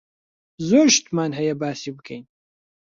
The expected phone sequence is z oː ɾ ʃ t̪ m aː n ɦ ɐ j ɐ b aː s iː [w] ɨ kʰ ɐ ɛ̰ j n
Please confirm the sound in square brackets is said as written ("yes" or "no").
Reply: no